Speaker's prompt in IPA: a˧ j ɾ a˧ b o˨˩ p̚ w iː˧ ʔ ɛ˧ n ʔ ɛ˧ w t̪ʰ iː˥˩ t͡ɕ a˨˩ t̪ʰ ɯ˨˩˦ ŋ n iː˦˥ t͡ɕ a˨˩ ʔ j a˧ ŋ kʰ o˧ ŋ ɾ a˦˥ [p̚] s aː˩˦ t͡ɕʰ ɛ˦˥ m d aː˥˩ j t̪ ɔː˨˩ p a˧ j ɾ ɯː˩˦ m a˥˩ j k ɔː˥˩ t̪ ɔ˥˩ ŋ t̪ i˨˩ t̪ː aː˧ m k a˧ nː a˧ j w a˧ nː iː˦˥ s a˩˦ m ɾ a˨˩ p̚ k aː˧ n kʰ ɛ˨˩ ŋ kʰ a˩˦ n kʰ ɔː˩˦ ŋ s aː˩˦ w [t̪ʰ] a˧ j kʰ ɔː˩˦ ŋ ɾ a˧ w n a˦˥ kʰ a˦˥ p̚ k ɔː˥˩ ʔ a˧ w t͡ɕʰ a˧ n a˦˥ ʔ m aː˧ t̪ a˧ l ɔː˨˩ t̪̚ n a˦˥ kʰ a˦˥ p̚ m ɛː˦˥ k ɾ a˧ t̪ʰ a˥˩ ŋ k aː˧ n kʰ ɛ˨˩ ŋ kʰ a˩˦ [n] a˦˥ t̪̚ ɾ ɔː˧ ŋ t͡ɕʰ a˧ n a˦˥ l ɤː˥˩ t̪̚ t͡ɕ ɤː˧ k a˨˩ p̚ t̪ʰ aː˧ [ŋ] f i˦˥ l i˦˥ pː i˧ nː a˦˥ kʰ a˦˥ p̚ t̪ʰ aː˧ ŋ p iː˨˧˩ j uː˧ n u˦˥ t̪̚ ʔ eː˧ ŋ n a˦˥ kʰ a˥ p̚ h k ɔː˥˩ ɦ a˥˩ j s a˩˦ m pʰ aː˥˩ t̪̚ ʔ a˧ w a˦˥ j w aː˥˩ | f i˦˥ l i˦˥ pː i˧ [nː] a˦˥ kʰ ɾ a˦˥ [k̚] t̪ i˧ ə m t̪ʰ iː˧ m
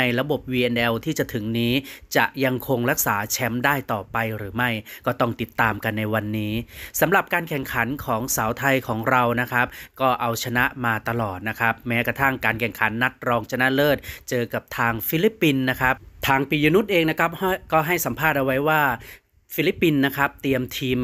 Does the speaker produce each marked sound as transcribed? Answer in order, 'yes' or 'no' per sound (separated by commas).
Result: no, yes, no, yes, yes, no